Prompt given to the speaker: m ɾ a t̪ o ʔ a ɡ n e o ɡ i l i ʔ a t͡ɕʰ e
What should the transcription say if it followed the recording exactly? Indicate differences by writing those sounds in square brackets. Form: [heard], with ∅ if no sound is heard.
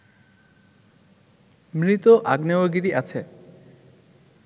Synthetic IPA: m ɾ [i] t̪ o ʔ a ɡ n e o ɡ i [ɾ] i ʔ a t͡ɕʰ e

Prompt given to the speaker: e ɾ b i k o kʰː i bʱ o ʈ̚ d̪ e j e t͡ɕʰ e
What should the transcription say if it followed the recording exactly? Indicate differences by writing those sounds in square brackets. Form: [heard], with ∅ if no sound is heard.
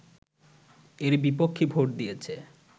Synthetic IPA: e ɾ b i [p] o kʰː i bʱ o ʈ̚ d̪ [i] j e t͡ɕʰ e

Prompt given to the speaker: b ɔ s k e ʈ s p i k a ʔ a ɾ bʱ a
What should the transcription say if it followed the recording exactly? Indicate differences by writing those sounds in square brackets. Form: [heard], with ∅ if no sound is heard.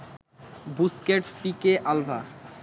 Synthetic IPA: b [u] s k e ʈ s p i k [e] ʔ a [l] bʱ a

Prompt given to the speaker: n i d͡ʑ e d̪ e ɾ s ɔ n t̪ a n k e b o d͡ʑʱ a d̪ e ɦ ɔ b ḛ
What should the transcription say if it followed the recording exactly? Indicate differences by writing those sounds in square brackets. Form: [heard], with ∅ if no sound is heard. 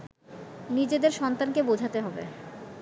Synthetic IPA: n i d͡ʑ e d̪ e ɾ [ʃ] ɔ n t̪ a n k e b o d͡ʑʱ a [t̪] e ɦ ɔ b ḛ

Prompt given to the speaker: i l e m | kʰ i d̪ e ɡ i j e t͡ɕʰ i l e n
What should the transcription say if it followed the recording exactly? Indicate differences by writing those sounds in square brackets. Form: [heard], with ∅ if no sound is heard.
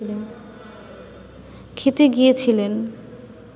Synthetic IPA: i l e [n] | kʰ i [t̪] e ɡ i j e t͡ɕʰ i l e n

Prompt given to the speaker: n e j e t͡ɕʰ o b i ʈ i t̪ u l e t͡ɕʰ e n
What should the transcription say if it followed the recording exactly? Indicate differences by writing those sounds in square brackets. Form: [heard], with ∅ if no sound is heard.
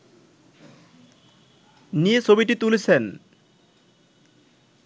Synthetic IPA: n [i] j e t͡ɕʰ o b i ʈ i t̪ u l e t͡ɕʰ e n

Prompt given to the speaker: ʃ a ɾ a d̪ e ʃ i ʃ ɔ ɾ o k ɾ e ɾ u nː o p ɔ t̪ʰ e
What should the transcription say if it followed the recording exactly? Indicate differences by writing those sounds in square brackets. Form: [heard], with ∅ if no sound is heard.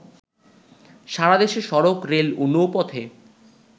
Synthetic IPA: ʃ a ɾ a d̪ e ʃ [e] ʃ ɔ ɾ o k ɾ e [l] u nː o p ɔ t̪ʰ e

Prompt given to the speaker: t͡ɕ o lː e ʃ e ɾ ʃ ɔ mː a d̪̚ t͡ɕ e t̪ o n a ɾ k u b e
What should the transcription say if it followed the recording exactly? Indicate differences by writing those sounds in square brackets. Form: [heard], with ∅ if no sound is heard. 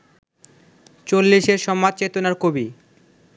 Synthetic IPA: t͡ɕ o lː [i] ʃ e ɾ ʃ ɔ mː a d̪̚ t͡ɕ e t̪ o n a ɾ k [o] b [i]

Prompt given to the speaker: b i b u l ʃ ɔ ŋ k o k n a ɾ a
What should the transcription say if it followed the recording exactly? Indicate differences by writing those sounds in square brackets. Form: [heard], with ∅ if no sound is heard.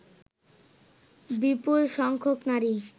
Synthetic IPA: b i [p] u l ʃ ɔ ŋ [kʰ] o k n a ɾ [i]

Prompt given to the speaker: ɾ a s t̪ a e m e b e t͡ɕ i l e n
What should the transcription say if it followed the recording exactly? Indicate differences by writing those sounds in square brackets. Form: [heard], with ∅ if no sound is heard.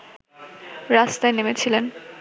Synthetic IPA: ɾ a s t̪ a e [n] e [m] e [t͡ɕʰ] i l e n

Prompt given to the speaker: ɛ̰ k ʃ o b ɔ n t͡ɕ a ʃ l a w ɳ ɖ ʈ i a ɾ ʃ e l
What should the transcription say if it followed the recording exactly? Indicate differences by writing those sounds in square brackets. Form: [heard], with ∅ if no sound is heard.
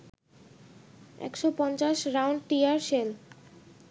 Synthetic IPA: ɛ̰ k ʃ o [p] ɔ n t͡ɕ a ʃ [ɾ] a w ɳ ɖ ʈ i a ɾ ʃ e l

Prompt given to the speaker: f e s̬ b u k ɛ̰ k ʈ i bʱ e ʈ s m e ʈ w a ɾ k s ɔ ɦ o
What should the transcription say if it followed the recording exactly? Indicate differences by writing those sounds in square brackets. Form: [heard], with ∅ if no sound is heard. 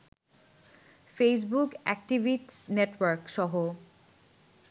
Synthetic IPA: f e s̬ b u k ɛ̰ k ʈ i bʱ [i] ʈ s [n] e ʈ w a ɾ k [ʃ] ɔ ɦ o

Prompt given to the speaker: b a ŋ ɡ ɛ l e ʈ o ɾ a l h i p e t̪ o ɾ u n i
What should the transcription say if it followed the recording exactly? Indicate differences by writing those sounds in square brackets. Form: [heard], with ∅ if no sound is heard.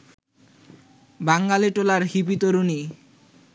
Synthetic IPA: b a ŋ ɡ [a] l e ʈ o [l] a [ɾ] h i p [i] t̪ o ɾ u n i

